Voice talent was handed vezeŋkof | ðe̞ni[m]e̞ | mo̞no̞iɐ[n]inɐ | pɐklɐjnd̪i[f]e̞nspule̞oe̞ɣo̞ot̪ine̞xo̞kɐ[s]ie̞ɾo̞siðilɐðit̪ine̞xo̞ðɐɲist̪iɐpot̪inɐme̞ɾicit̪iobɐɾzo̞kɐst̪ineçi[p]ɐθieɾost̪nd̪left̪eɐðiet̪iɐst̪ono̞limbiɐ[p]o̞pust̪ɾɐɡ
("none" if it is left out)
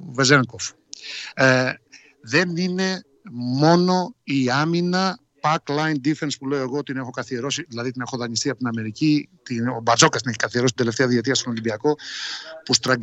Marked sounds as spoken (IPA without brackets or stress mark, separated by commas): n, m, f, θ, k, k